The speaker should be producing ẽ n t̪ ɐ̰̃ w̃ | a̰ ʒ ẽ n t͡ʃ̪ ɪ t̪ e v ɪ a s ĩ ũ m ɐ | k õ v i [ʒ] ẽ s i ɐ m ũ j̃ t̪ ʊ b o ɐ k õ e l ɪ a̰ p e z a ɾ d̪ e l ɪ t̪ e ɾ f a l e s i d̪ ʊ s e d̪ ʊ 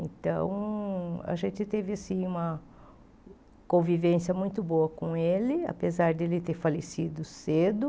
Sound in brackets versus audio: incorrect: v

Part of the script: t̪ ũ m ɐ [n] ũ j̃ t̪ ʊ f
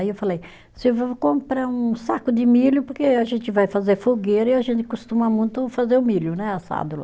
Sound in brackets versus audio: incorrect: m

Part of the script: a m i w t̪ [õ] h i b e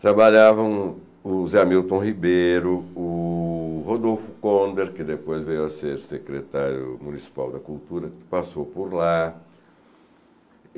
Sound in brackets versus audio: correct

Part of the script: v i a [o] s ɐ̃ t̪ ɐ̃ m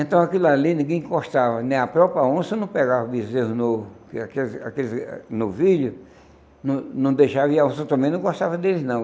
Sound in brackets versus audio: incorrect: õ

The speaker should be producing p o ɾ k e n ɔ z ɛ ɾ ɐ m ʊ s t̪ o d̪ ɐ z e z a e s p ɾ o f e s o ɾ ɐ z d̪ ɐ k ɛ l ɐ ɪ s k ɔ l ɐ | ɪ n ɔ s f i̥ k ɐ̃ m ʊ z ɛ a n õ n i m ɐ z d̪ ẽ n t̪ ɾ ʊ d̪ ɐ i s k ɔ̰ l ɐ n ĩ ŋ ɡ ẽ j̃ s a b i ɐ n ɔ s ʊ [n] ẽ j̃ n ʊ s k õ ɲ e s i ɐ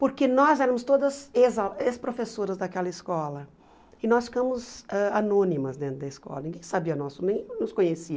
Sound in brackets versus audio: correct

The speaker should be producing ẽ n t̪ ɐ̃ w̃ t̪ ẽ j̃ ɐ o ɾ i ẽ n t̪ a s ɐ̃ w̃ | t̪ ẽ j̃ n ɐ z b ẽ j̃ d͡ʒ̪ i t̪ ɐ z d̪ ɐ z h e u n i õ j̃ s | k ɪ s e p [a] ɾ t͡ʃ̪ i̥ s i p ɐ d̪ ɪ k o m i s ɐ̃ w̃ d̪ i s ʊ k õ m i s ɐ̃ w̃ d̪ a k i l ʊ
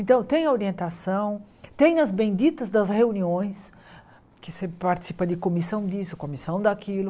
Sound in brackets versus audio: correct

